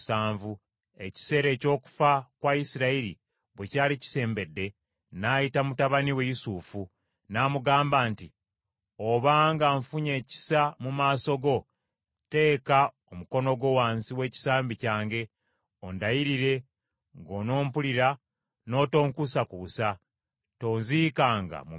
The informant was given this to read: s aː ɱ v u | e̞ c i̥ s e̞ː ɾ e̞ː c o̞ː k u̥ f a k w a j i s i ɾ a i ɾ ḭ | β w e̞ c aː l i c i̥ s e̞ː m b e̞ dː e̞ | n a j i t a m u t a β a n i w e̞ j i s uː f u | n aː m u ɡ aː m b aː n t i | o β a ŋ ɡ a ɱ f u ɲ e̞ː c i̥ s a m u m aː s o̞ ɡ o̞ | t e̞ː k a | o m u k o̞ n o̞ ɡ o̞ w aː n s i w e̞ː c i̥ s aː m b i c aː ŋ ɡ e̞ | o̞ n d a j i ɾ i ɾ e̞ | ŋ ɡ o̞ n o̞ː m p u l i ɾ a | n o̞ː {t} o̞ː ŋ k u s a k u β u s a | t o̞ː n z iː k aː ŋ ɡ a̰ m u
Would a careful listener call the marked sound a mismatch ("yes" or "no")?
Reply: no